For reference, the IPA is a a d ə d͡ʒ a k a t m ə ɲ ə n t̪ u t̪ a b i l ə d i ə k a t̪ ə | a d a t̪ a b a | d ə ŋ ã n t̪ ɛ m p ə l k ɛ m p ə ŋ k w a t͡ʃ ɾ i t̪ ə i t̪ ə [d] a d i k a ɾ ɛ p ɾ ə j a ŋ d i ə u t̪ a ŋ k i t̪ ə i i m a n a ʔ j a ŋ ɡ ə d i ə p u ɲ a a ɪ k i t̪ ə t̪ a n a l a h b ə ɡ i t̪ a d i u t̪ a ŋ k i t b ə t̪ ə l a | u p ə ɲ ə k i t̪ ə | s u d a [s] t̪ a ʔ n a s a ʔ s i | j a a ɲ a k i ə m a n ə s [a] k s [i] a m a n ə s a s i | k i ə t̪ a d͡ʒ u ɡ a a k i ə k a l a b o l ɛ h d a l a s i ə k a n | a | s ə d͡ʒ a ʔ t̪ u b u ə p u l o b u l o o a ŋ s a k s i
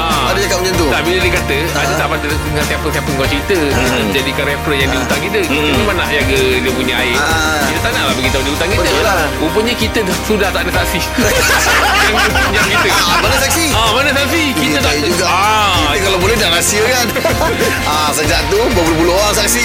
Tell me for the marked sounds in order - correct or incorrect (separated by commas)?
incorrect, incorrect, correct, correct